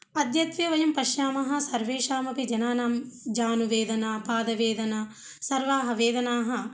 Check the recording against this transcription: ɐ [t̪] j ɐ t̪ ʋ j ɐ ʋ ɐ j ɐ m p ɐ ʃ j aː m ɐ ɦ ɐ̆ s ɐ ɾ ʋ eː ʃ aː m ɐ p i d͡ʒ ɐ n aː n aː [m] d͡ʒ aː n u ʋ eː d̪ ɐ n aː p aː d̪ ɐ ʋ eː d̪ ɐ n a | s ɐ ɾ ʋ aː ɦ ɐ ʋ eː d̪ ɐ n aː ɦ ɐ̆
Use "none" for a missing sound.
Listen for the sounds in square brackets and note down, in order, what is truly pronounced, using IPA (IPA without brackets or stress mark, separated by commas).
d̪, m